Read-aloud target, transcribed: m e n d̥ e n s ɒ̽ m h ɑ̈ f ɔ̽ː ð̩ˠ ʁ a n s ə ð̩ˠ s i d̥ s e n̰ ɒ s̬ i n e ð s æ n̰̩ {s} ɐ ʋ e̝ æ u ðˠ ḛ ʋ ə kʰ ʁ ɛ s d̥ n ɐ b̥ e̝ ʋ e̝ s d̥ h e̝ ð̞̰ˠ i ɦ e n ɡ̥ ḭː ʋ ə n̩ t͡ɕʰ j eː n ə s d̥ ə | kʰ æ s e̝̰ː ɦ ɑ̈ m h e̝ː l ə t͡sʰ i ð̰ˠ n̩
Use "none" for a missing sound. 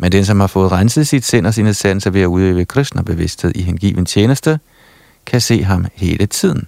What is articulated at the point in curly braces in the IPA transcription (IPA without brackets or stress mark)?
s